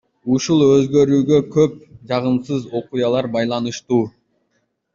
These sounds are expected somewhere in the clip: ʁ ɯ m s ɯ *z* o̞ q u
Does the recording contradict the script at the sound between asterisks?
no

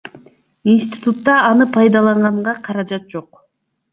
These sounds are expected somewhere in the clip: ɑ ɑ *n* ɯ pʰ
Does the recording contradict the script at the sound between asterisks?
no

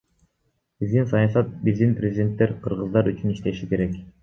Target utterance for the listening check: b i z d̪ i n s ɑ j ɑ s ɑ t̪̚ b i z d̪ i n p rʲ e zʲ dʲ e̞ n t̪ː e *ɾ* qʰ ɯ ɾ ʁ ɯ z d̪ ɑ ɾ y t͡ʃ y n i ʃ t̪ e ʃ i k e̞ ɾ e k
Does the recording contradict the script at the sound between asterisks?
no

